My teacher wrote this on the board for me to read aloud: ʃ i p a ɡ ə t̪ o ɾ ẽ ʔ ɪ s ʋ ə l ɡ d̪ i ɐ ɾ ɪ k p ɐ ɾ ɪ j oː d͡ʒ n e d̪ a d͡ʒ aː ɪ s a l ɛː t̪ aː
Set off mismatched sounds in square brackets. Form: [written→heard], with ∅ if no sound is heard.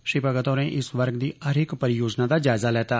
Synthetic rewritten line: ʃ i p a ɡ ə t̪ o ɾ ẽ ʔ ɪ s ʋ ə [l→ɾ] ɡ d̪ i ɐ ɾ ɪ k p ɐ ɾ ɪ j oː d͡ʒ n [e→a] d̪ a d͡ʒ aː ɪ [s→z] a l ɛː t̪ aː